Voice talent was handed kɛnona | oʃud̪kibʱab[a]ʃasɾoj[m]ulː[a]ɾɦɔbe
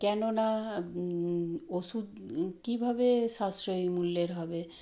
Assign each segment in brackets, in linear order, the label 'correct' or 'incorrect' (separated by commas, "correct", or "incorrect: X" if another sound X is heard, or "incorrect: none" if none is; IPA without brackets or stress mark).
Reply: incorrect: e, correct, incorrect: e